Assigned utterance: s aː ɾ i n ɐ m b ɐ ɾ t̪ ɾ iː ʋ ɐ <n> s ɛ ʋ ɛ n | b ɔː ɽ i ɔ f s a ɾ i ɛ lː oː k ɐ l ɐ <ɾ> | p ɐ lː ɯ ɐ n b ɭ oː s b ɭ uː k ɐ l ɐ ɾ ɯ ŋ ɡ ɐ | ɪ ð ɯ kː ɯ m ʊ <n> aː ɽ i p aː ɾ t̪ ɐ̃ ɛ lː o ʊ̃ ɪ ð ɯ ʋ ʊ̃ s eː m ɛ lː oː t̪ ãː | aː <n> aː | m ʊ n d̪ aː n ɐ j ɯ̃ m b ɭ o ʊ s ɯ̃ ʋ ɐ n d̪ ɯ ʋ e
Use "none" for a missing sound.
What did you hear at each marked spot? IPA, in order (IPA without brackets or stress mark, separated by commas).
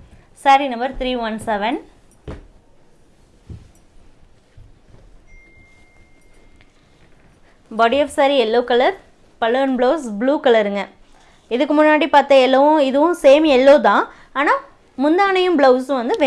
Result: n, ɾ, nː, n